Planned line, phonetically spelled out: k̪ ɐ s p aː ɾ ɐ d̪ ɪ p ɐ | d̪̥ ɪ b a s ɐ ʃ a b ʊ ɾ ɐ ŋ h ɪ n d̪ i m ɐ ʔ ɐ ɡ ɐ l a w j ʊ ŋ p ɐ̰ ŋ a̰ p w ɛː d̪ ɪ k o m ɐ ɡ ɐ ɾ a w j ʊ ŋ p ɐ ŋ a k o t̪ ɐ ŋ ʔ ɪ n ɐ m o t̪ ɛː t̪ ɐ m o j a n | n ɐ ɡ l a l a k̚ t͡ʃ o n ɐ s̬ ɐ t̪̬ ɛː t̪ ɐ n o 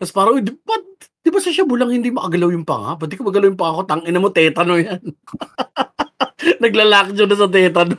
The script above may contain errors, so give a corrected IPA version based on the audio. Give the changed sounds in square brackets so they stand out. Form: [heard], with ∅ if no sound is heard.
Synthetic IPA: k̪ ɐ s p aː ɾ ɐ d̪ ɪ p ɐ | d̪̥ ɪ b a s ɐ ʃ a b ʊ [l] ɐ ŋ h ɪ n d̪ i m ɐ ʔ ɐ ɡ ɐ l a w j ʊ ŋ p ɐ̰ ŋ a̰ p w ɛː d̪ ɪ k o m ɐ ɡ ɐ [l] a w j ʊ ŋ p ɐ ŋ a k o t̪ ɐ ŋ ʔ ɪ n ɐ m o t̪ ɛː t̪ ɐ [n] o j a n | n ɐ ɡ l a l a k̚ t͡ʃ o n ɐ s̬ ɐ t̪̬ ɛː t̪ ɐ n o